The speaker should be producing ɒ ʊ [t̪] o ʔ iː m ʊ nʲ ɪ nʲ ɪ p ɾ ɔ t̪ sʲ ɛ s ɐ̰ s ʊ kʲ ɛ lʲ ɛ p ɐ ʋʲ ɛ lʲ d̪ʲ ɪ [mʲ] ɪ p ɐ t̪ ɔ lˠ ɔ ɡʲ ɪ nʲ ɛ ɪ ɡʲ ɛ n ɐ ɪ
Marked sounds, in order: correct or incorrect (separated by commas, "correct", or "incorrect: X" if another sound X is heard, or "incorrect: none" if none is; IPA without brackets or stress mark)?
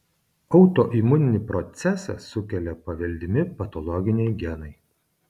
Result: correct, correct